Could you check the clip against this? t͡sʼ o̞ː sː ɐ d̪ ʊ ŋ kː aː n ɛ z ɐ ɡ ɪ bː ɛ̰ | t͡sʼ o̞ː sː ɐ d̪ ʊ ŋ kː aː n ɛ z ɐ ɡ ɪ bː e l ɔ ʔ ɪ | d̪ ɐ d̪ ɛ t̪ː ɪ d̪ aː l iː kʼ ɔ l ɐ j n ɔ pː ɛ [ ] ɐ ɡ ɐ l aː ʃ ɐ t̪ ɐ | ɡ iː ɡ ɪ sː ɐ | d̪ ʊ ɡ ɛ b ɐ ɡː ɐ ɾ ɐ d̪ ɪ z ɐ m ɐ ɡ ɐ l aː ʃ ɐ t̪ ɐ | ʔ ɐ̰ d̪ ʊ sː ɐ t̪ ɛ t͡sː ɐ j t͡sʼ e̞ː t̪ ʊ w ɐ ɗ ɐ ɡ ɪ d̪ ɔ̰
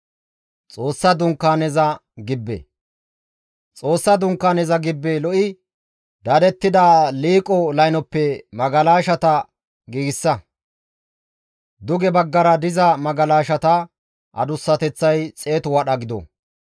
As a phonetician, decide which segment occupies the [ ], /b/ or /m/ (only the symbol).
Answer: m